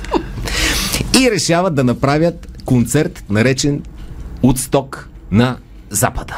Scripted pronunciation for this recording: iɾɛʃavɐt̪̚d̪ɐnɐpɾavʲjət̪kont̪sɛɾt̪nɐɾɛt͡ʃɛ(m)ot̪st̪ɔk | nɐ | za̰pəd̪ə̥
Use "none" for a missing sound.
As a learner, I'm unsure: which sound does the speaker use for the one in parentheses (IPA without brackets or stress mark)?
n